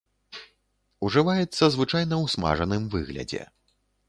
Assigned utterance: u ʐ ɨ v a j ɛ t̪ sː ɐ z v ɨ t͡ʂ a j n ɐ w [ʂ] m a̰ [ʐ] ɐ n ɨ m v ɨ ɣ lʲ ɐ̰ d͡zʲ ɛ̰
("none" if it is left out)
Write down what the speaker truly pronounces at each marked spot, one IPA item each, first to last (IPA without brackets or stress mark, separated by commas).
s, ʐ